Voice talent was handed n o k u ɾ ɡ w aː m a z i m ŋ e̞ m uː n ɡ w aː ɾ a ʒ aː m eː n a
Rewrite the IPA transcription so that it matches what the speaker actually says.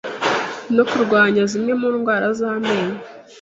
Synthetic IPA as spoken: n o k u ɾ ɡ w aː ɲ a z i m ŋ e̞ m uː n ɡ w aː ɾ a z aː m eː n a

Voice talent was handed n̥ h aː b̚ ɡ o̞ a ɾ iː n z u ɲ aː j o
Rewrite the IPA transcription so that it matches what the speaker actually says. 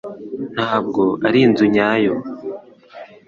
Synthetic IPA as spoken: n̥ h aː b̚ ɡ o̞ a ɾ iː n z u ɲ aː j o

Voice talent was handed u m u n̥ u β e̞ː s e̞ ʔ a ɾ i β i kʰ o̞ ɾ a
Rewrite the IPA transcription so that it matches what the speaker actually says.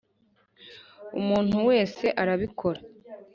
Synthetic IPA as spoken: u m uː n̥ u w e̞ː s e̞ ʔ a ɾ a β i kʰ o̞ ɾ a

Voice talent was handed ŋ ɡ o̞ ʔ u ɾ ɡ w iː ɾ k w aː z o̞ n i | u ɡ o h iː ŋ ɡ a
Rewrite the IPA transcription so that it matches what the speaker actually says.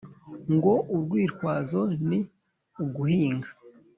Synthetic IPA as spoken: ŋ ɡ o̞ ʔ u ɾ ɡ w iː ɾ k w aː z o̞ n i | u ɡ u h iː ŋ ɡ a

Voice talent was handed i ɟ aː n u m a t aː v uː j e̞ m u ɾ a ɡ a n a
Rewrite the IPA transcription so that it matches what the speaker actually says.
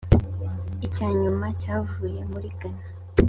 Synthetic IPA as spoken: i c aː ɲ u m a c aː v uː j e̞ m u ɾ i ɡ a n a

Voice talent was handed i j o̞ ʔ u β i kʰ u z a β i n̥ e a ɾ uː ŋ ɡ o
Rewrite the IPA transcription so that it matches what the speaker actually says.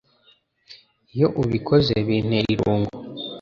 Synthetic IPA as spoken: i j o̞ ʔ u β i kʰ o z e β i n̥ e i ɾ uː ŋ ɡ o

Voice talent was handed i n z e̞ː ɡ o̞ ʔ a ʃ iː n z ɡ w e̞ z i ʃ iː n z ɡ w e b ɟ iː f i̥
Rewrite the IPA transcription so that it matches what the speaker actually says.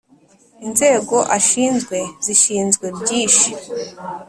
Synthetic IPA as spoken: i n z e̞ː ɡ o̞ ʔ a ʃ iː n z ɡ w e̞ z i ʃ iː n z ɡ w e b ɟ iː ʃ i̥

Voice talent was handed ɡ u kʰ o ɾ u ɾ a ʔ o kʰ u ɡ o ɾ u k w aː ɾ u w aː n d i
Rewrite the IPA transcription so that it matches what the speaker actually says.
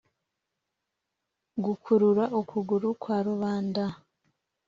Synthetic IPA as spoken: ɡ u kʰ u ɾ u ɾ a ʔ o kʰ u ɡ u ɾ u k w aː ɾ u β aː n d a

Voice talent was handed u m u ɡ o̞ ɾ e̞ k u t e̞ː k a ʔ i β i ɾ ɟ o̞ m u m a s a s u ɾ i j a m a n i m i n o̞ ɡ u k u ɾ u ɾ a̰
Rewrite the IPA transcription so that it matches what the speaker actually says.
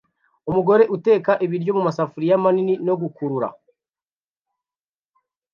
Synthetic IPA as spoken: u m u ɡ o̞ ɾ e̞ ʔ u t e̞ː k a ʔ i β i ɾ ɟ o̞ m u m a s a f u ɾ i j a m a n i n i n o̞ ɡ u k u ɾ u ɾ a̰

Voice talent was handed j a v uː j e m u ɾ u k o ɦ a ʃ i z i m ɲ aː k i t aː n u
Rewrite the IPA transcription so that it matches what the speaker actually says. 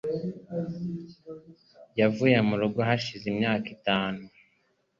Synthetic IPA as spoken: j a v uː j e m u ɾ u ɡ o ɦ a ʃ i z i m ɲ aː k i t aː n u

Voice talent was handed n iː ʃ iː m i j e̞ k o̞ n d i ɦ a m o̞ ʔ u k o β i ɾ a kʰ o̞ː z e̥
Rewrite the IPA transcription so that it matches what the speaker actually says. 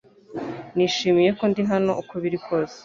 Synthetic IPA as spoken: n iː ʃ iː m i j e̞ k o̞ n d i ɦ a n o̞ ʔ u k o β i ɾ i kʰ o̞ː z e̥

